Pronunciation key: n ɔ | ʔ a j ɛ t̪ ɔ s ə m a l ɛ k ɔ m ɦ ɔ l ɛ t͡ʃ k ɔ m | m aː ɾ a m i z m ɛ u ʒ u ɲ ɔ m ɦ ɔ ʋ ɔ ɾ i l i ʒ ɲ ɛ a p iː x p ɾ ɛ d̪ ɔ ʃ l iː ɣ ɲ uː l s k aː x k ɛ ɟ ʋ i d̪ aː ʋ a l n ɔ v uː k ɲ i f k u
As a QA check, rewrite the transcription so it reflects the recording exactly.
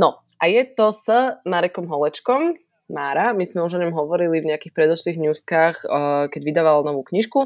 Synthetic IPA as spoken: n ɔ | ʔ a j ɛ t̪ ɔ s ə m a ɾ ɛ k ɔ m ɦ ɔ l ɛ t͡ʃ k ɔ m | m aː ɾ a m i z m ɛ u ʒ ɔ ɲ ɔ m ɦ ɔ ʋ ɔ ɾ i l i v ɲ ɛ a k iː x p ɾ ɛ d̪ ɔ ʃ l iː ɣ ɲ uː s k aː x k ɛ ɟ ʋ i d̪ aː ʋ a l n ɔ ʋ uː k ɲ i ʃ k u